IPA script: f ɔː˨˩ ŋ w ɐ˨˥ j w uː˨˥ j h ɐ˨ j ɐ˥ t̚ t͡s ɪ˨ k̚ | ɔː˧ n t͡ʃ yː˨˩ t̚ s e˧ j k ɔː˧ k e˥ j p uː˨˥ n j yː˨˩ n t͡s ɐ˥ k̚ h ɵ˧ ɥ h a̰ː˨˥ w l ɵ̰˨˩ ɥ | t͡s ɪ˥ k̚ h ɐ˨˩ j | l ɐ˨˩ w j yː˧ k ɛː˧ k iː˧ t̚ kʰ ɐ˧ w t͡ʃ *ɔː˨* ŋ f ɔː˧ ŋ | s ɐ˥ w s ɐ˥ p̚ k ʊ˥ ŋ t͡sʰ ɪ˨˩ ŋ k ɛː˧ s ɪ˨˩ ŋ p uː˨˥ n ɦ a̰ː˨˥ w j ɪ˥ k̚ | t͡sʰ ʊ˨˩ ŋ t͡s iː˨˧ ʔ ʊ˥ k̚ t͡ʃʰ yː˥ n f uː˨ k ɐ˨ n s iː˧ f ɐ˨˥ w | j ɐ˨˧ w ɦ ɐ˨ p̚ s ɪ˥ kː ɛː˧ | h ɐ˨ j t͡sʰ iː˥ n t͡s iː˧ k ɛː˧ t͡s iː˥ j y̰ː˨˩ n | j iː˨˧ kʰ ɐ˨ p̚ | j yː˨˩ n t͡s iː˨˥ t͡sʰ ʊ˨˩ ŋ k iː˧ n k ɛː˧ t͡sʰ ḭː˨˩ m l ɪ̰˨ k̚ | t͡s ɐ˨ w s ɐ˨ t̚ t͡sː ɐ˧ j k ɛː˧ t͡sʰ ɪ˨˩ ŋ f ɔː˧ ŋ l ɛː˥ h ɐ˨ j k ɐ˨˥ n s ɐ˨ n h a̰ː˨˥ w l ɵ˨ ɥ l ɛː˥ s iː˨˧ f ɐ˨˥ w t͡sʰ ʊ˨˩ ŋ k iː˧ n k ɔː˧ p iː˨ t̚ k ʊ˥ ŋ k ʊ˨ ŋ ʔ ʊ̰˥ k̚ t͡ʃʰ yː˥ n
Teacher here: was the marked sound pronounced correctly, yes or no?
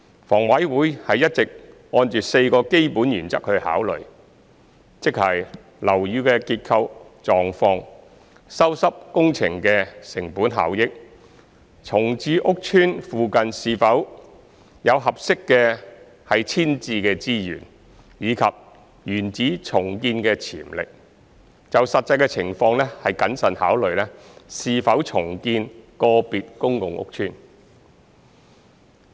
yes